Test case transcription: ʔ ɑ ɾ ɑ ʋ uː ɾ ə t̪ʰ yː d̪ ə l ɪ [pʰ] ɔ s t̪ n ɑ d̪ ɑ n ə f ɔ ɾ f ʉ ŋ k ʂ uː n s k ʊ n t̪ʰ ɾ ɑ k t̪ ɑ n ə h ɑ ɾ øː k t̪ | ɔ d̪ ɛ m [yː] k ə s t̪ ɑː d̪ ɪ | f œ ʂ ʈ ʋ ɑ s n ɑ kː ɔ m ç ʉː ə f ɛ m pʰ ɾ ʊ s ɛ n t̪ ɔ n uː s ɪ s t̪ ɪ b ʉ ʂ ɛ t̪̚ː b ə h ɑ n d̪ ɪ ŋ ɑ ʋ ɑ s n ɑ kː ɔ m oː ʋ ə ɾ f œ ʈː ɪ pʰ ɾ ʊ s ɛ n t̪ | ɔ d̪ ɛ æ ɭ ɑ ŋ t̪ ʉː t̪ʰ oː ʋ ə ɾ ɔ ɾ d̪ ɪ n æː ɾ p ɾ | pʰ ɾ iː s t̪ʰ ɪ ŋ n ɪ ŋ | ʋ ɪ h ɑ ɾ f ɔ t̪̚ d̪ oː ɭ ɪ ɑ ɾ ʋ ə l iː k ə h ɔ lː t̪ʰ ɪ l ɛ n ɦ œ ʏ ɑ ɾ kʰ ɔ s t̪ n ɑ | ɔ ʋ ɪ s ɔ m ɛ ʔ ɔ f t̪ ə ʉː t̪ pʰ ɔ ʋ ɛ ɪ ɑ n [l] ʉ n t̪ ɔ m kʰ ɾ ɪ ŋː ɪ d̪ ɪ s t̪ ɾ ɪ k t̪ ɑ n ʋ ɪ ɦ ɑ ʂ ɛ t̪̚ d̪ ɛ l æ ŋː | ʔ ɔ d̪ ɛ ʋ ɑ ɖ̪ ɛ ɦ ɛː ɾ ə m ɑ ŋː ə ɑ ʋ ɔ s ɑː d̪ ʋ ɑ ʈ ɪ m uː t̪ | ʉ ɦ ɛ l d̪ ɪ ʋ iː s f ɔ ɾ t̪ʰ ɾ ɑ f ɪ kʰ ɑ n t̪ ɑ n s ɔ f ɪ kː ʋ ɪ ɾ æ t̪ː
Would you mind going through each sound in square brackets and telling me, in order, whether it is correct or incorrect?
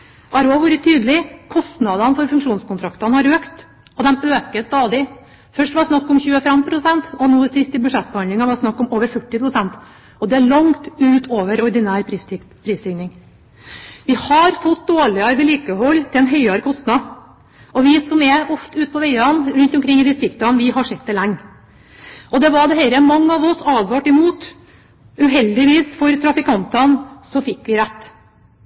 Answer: incorrect: kʰ, incorrect: øː, incorrect: ɾ

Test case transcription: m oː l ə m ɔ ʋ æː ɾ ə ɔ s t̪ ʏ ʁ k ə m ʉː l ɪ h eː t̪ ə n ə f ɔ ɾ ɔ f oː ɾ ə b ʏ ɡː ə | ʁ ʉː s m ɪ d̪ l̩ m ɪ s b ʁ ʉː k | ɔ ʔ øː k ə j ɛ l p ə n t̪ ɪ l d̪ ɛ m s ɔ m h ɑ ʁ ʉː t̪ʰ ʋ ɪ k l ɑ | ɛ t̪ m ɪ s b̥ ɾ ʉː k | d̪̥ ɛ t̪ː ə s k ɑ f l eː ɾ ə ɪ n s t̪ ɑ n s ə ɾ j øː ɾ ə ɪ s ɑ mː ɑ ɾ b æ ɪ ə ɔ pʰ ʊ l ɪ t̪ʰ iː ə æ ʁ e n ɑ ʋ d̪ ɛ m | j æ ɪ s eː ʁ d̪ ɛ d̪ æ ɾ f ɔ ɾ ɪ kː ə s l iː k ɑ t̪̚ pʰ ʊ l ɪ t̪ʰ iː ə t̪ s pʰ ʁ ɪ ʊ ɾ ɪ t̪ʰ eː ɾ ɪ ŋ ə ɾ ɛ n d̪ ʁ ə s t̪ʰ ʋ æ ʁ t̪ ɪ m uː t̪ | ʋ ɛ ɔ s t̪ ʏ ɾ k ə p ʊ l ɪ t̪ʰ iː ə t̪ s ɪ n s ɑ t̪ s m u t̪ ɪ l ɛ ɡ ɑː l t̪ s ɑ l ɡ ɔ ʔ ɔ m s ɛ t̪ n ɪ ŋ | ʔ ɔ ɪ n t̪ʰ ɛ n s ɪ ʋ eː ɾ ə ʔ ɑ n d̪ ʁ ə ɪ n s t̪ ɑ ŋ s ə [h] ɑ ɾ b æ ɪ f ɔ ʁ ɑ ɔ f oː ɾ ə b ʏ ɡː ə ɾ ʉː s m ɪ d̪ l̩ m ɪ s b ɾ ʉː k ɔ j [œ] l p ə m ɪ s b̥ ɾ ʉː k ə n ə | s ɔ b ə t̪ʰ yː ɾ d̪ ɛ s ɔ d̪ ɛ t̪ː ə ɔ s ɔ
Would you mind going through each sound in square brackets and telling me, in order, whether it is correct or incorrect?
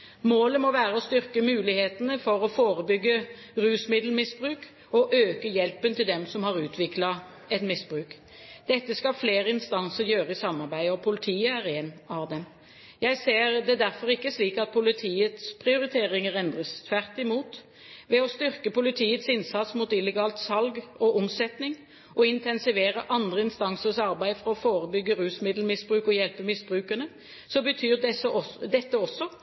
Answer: incorrect: s, incorrect: ɛ

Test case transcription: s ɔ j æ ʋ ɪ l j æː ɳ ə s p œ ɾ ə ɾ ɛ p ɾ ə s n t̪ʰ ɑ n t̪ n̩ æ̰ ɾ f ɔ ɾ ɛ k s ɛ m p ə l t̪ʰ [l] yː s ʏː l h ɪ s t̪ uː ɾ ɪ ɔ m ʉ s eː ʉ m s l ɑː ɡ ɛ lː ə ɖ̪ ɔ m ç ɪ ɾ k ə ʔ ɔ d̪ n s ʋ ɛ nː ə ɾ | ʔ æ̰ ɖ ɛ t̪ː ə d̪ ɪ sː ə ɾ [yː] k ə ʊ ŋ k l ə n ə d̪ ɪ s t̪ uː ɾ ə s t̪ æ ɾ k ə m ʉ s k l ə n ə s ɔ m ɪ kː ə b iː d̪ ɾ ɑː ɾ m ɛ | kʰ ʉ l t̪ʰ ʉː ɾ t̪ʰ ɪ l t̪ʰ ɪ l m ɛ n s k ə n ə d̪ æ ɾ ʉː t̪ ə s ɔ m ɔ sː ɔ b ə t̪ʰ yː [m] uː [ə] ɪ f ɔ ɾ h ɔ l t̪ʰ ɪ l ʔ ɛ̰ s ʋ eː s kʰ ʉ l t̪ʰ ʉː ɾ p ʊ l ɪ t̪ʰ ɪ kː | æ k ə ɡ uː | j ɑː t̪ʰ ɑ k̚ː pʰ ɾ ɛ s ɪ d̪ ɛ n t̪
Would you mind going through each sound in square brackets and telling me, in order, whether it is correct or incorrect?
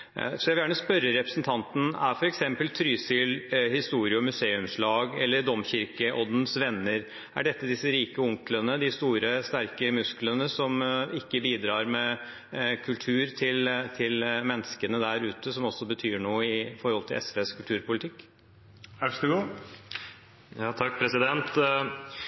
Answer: incorrect: ɾ, incorrect: iː, incorrect: ɳ, correct

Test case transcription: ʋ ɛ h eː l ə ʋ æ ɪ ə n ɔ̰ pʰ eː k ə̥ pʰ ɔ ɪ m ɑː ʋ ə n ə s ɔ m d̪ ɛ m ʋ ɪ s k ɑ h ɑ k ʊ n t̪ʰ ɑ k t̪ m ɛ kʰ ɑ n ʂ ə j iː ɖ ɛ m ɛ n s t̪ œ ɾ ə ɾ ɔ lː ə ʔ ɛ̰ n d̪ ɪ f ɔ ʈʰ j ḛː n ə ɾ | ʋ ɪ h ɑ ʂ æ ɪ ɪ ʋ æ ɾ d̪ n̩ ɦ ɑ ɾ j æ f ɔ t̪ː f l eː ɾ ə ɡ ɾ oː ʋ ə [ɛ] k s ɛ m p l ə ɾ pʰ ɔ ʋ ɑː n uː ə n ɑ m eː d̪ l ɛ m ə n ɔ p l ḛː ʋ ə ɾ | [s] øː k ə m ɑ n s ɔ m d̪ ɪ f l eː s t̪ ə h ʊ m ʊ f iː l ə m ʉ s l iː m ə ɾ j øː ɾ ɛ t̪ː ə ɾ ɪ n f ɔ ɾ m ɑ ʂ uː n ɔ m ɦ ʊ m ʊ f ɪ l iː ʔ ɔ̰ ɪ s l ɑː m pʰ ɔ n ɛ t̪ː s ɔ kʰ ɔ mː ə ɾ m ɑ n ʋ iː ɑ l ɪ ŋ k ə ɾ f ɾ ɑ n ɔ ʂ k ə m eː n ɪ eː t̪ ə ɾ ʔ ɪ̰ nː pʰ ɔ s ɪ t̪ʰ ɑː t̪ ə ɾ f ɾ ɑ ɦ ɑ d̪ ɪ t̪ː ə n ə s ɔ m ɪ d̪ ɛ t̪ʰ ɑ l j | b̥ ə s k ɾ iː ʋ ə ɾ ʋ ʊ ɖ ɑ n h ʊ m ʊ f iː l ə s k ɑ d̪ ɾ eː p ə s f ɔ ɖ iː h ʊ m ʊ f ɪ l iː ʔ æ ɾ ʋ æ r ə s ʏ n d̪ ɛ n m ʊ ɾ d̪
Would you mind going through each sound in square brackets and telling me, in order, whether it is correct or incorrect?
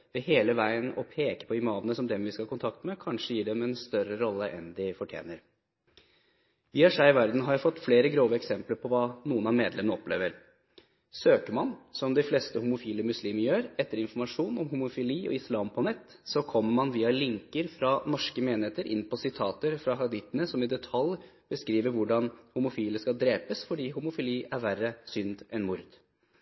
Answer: correct, correct

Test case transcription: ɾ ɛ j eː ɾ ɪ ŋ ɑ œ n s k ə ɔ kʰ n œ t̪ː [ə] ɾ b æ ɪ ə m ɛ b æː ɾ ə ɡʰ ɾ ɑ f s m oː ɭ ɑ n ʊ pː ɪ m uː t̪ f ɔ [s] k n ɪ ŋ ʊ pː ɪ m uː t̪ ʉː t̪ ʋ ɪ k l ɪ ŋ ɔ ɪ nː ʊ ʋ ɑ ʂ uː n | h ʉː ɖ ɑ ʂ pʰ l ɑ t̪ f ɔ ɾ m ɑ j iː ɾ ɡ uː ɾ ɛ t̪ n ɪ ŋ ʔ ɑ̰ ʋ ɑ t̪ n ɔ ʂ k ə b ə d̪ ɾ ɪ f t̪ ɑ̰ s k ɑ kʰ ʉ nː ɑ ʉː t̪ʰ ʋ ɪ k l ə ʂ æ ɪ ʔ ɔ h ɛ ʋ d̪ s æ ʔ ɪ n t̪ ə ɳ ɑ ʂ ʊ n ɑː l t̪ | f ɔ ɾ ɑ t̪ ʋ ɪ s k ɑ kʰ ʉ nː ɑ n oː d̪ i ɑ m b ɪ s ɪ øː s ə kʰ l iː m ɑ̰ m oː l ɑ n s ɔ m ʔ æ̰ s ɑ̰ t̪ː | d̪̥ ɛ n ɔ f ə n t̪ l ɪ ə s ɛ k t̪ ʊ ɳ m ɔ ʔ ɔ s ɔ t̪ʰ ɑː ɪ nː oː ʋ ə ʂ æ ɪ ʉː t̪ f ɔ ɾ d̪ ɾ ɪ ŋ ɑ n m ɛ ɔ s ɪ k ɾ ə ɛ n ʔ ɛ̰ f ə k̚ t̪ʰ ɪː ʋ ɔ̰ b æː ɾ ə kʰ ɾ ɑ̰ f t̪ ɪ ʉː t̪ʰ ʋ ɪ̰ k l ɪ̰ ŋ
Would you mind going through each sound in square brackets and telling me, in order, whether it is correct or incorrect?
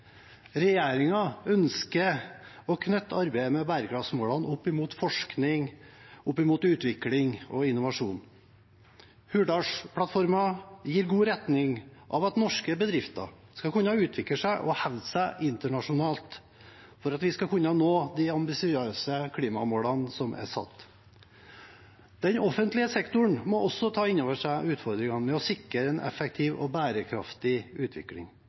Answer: incorrect: ɑ, incorrect: ʂ

